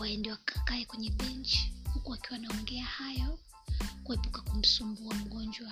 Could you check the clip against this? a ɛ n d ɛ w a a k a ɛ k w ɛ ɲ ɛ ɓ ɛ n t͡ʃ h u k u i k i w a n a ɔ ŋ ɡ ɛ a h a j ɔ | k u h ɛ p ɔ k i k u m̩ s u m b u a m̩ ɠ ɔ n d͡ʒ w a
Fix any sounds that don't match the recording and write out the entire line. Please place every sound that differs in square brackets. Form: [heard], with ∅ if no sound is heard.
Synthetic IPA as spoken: a ɛ n d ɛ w a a k a ɛ k w ɛ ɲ ɛ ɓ ɛ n t͡ʃ h u k u [a] k i w a n a ɔ ŋ ɡ ɛ a h a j ɔ | k u h ɛ p [u] k [a] k u m̩ s u m b u a m̩ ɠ ɔ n d͡ʒ w a